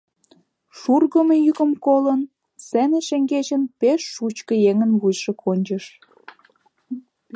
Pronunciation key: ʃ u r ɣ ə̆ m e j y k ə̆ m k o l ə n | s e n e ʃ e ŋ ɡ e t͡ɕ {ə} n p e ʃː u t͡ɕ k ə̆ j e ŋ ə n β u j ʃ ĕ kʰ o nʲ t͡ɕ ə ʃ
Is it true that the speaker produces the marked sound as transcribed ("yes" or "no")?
yes